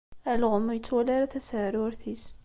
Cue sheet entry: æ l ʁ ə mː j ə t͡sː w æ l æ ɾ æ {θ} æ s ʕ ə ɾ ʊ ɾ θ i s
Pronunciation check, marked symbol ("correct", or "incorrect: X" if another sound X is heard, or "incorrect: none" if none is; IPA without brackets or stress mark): correct